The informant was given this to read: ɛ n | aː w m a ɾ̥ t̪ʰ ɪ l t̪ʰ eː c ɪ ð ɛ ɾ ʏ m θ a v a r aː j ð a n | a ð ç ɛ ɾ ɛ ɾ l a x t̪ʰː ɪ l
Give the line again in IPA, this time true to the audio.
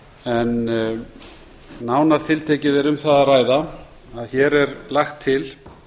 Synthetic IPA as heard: ɛ n | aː w n a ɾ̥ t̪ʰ ɪ l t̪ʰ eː c ɪ ð ɛ ɾ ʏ m θ a ð a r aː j ð a | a ð ç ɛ ɾ ɛ ɾ l a x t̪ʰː ɪ l